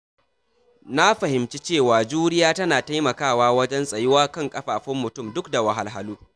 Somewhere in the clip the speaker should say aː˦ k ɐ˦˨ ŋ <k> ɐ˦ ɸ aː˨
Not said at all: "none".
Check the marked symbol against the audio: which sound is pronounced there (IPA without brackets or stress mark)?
kʼ